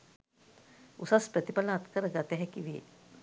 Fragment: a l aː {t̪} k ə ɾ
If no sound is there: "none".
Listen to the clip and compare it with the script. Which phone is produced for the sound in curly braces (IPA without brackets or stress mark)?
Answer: t̪